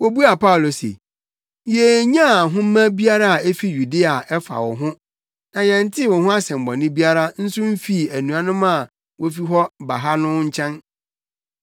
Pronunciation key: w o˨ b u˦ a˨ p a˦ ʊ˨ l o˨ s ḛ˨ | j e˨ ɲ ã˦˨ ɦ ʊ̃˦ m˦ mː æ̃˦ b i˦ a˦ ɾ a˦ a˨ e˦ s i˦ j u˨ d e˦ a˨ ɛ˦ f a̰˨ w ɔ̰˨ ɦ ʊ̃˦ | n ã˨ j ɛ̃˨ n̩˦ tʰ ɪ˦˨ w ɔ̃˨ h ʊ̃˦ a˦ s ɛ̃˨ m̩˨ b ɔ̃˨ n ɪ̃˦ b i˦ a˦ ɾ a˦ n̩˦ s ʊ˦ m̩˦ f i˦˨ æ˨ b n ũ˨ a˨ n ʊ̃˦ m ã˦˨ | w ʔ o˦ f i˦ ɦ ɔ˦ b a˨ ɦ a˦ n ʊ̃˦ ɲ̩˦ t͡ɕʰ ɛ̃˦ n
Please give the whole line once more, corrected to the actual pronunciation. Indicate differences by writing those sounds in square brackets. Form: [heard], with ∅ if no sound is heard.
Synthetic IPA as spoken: w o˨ b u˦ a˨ p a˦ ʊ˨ l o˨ s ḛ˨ | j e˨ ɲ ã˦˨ ɦ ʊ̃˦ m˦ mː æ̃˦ b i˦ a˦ ɾ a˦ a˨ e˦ [f] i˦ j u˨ d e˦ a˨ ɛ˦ f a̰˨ w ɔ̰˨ ɦ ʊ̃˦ | n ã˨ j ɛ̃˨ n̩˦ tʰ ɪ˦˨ w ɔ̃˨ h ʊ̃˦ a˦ s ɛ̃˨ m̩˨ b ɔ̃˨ n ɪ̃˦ b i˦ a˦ ɾ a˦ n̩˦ s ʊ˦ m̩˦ f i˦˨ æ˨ [∅] n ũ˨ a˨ n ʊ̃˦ m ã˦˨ | w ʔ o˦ f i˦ ɦ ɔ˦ b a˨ ɦ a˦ n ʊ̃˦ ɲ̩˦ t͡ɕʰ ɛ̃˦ n